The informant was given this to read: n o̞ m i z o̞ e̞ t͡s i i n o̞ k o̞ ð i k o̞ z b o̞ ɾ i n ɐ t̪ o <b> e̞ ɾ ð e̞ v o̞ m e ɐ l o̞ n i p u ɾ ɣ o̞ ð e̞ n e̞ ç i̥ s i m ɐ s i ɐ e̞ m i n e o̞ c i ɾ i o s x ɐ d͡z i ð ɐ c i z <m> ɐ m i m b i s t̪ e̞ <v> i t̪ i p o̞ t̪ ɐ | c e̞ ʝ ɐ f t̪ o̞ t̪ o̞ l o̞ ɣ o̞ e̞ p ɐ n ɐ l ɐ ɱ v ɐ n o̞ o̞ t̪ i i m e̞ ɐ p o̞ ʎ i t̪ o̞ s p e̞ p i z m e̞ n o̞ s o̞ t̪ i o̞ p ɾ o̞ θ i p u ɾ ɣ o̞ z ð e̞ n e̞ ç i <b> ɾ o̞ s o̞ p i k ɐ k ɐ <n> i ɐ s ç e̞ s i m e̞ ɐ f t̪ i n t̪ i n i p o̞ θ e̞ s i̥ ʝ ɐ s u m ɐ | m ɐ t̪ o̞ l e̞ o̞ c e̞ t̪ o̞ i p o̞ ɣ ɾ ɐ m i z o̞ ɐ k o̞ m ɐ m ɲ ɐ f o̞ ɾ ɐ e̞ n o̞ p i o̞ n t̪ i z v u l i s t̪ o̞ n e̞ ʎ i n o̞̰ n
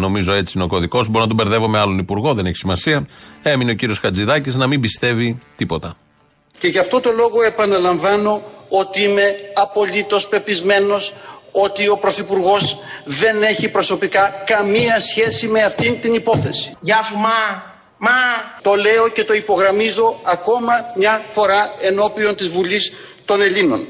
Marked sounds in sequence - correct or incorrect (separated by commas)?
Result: correct, incorrect, correct, incorrect, incorrect